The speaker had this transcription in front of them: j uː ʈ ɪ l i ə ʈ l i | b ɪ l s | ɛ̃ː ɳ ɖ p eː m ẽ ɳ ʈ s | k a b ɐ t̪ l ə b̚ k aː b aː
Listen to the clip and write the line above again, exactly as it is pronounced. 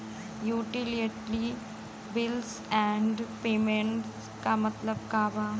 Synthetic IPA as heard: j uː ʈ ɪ l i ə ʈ l i | b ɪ l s | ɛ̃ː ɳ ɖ p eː m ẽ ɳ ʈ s | k a m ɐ t̪ l ə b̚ k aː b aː